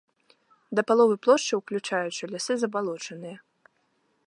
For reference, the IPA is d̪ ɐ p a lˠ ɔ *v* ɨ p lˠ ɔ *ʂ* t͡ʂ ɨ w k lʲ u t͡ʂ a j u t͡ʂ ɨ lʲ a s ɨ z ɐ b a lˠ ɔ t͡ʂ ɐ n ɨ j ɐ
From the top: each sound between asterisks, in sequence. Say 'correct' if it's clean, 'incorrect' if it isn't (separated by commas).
correct, correct